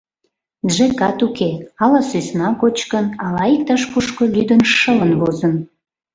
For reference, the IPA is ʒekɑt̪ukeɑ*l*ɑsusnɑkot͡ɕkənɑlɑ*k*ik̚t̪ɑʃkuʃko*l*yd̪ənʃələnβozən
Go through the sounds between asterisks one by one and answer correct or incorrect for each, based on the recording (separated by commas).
correct, incorrect, correct